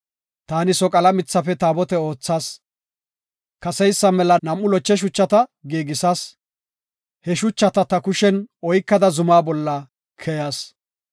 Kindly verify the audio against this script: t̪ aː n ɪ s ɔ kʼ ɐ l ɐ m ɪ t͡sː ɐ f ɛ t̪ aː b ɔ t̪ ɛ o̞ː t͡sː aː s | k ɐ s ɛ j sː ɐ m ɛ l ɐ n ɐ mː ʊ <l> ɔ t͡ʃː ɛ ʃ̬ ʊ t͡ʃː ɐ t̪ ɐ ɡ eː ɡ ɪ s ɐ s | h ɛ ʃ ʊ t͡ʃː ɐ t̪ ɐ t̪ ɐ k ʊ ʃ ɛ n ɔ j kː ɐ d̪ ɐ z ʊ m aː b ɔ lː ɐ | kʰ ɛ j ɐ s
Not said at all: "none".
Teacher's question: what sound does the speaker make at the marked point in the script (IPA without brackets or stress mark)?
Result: l